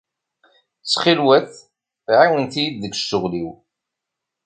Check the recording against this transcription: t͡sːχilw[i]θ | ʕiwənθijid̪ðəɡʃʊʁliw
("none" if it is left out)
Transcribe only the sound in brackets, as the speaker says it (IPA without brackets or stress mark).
æ